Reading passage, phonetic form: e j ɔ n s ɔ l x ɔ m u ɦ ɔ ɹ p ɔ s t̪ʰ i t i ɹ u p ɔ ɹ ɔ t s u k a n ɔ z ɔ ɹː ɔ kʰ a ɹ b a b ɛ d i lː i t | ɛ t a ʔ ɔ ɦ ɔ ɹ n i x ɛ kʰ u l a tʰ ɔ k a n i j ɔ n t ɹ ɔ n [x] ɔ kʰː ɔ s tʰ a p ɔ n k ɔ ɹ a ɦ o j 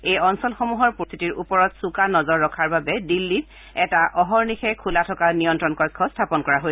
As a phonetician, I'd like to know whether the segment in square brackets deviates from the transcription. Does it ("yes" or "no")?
yes